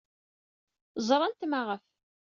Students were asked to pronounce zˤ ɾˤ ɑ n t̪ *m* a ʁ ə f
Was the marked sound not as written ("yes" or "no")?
no